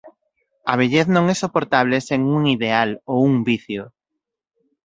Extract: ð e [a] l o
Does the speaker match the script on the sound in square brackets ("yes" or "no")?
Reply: yes